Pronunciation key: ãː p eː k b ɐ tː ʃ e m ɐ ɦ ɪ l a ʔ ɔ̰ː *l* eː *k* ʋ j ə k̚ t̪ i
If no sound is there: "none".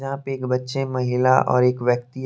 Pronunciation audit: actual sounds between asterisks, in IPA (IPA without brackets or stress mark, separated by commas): ɾ, k